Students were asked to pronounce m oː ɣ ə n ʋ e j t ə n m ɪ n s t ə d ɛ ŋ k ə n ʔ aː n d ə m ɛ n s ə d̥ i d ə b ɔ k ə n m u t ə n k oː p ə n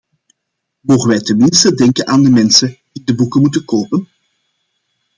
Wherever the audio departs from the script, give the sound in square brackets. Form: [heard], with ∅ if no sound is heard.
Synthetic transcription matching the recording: m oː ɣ ə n ʋ [ɛ] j t ə n m ɪ n s t ə d ɛ ŋ k ə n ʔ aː n d ə m ɛ n s ə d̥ i d ə b [u] k ə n m u t ə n k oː p ə n